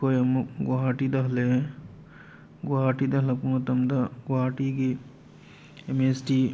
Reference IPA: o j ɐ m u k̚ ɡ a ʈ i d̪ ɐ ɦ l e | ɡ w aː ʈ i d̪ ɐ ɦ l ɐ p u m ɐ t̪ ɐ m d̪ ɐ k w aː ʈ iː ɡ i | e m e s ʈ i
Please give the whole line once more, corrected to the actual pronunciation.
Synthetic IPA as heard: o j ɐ m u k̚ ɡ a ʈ i d̪ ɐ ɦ l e | ɡ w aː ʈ i d̪ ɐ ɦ l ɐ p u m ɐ t̪ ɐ m d̪ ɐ ɡ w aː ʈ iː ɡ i | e m e s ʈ i